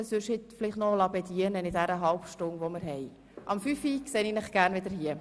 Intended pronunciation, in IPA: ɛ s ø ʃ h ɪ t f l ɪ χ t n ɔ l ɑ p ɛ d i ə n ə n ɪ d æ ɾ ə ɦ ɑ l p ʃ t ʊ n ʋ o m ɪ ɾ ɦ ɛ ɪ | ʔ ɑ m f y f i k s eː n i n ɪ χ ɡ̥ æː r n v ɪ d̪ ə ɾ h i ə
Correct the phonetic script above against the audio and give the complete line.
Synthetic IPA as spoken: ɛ s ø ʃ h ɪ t f l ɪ χ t n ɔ l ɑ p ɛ d i ə n ə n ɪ d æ ɾ ə ɦ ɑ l p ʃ t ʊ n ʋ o m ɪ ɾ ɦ ɛ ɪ | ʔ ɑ m f y f i k s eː n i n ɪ χ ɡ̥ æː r n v ɪ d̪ ə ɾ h i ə